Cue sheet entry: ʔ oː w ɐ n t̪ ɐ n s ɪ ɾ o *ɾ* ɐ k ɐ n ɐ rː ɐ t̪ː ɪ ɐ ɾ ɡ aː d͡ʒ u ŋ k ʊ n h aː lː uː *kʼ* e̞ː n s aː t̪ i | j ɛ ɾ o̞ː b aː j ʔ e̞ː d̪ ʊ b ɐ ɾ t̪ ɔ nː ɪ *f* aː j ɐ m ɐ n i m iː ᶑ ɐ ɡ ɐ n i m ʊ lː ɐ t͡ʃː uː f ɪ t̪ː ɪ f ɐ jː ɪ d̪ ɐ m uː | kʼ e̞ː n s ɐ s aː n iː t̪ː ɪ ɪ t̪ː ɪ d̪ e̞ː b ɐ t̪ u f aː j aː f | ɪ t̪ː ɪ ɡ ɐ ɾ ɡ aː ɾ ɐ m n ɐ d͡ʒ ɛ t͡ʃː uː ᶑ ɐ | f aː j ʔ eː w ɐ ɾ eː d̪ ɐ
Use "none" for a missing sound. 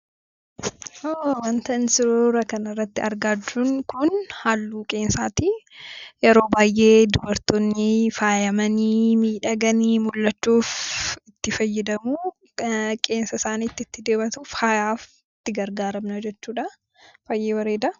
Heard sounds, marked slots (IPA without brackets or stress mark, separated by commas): ɾ, kʼ, f